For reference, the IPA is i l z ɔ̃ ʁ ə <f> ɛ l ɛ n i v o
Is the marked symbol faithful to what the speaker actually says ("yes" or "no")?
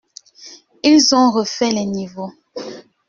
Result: yes